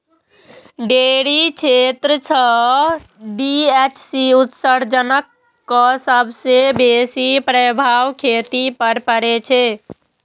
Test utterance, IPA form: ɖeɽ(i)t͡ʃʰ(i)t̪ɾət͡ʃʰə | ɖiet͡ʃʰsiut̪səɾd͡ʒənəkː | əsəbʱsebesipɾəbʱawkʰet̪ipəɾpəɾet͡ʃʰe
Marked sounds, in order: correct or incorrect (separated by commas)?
correct, incorrect